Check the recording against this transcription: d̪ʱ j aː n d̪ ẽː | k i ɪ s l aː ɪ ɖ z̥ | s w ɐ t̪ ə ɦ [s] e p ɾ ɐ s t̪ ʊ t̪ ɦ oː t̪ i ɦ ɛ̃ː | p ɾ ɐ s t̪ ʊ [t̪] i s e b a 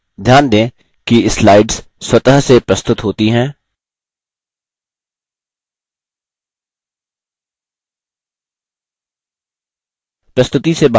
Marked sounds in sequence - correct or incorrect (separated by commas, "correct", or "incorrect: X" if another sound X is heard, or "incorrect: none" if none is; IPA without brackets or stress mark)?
correct, correct